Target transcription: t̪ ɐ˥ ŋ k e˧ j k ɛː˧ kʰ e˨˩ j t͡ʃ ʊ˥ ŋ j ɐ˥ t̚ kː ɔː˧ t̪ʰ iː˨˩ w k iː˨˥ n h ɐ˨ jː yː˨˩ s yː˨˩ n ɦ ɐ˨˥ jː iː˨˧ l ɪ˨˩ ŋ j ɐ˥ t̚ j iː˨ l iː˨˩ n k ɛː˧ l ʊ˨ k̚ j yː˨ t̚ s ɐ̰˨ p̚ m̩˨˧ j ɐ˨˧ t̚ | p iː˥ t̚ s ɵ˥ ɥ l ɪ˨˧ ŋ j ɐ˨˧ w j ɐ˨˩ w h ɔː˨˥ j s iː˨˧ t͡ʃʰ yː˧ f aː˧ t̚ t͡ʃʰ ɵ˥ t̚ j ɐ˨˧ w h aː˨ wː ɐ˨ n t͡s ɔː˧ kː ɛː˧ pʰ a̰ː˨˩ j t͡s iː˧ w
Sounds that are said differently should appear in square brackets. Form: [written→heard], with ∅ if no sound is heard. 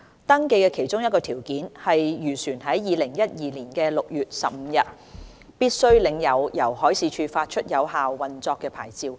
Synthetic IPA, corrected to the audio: t̪ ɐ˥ ŋ k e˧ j k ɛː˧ kʰ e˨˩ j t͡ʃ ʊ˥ ŋ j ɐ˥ t̚ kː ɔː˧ t̪ʰ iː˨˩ w k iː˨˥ n h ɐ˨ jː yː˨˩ s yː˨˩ n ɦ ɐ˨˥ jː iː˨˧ l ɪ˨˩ ŋ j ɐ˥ t̚ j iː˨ l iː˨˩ n k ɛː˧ l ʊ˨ k̚ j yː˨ t̚ s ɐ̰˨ p̚ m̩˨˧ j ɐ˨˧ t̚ | p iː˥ t̚ s ɵ˥ ɥ l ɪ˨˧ ŋ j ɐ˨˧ w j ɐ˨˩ w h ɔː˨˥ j s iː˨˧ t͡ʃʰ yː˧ f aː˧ t̚ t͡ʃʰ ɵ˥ t̚ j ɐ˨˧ w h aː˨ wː ɐ˨ n t͡s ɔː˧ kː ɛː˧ pʰ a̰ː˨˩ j t͡s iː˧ w